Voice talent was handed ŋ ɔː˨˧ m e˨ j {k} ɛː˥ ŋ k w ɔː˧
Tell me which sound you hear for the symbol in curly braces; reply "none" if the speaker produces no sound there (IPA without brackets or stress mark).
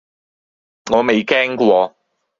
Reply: k